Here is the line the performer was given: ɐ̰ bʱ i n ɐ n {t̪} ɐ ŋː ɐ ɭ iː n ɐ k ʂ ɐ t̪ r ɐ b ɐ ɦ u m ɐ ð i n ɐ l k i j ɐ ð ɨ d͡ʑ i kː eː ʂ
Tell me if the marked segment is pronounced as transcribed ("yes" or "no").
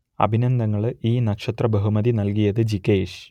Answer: no